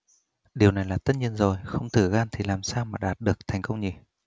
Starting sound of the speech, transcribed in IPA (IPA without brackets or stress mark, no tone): ɗ